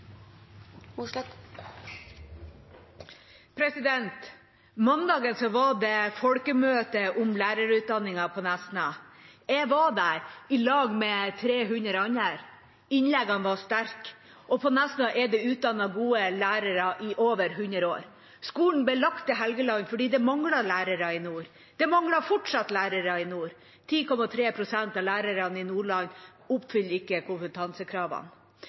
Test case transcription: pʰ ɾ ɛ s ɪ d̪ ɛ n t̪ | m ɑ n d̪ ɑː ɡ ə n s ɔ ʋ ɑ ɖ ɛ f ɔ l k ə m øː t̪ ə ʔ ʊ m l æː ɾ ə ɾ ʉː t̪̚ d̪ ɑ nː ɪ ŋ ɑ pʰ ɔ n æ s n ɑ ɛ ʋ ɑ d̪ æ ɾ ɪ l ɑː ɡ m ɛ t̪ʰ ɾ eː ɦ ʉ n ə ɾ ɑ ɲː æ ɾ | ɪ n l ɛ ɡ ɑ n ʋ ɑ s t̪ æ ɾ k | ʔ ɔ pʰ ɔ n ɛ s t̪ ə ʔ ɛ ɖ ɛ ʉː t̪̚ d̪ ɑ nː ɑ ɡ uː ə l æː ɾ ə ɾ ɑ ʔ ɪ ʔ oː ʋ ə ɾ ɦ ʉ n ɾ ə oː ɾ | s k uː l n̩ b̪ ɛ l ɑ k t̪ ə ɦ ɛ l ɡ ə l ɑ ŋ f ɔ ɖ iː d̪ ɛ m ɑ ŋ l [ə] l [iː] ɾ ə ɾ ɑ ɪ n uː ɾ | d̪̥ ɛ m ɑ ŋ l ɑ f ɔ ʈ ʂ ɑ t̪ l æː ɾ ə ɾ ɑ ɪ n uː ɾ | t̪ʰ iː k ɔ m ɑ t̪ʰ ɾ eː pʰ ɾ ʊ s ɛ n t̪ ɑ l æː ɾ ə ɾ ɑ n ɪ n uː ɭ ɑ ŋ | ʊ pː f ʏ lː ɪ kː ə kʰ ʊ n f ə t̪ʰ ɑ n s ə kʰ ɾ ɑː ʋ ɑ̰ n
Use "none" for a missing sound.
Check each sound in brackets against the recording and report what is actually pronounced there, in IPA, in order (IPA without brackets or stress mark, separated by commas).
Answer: ɑ, æː